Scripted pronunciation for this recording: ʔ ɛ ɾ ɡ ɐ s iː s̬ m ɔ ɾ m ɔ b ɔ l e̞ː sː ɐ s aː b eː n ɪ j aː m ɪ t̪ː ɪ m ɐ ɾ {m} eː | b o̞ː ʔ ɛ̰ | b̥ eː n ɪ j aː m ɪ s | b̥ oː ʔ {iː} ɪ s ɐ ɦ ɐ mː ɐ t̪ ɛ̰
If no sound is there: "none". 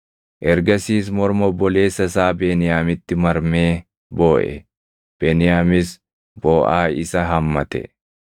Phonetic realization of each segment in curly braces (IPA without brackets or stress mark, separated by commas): m, aː